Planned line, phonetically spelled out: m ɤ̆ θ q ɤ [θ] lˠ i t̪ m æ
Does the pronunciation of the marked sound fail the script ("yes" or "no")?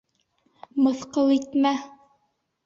yes